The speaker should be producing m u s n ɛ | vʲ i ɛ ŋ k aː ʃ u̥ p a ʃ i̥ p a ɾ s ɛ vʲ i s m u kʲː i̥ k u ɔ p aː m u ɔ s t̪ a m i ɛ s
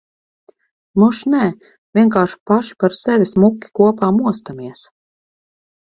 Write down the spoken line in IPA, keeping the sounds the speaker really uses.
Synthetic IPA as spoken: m u ʃ n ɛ | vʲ i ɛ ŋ k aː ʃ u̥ p a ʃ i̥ p a ɾ s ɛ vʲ i s m u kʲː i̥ k u ɔ p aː m u ɔ s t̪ a m i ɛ s